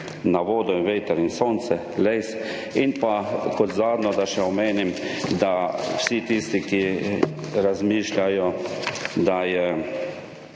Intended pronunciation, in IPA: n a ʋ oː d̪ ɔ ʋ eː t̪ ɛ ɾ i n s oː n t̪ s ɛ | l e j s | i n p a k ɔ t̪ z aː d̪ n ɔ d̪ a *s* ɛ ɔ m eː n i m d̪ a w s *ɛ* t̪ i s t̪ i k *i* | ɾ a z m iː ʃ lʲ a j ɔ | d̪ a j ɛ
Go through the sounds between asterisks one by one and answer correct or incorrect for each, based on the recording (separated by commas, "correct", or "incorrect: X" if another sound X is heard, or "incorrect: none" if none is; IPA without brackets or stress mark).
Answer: incorrect: ʃ, incorrect: i, correct